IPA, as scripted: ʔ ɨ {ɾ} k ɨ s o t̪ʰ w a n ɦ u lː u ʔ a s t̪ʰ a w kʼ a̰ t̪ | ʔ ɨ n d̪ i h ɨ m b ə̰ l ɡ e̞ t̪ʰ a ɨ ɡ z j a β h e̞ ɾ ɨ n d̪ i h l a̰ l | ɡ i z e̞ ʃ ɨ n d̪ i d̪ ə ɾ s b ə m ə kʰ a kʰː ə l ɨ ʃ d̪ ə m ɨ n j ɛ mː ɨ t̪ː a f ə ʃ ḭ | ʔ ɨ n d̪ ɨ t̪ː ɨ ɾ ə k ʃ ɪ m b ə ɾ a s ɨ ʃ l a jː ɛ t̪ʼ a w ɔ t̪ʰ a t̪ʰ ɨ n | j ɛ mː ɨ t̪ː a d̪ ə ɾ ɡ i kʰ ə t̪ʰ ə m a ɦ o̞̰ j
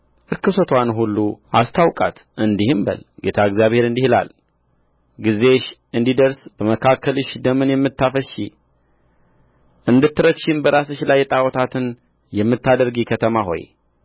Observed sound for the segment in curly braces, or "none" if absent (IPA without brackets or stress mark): ɾ